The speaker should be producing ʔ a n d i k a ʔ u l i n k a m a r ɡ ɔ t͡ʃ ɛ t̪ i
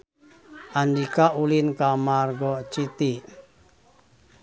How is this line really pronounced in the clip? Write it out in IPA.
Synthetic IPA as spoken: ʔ a n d i k a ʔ u l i n k a m a r ɡ ɔ t͡ʃ i t̪ i